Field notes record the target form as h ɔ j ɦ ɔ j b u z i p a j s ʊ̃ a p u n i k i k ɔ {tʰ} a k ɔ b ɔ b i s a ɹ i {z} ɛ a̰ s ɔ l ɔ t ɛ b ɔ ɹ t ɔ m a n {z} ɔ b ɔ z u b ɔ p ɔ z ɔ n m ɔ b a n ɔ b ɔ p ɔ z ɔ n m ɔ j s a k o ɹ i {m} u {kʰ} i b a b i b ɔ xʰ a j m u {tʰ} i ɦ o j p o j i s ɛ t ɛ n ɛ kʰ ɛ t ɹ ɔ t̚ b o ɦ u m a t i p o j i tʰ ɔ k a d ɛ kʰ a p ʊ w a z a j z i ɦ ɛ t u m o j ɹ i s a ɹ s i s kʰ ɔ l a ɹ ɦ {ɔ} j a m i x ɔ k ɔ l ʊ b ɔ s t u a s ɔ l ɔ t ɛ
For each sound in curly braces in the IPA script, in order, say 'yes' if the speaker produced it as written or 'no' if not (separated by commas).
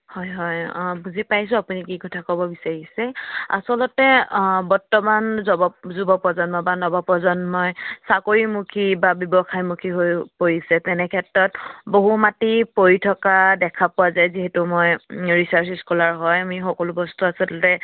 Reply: yes, no, yes, yes, yes, no, yes